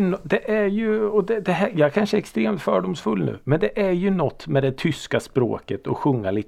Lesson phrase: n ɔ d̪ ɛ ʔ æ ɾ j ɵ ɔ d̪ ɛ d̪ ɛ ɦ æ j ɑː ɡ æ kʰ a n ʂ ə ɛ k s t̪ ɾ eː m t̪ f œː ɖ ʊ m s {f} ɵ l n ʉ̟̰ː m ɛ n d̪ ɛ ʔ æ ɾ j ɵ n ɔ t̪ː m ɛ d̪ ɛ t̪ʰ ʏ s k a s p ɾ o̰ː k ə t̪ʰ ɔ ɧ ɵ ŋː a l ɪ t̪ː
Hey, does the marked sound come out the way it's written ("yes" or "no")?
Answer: yes